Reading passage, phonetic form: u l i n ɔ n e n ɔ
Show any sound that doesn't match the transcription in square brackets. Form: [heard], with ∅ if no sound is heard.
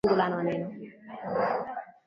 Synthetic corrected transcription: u l [a] n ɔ n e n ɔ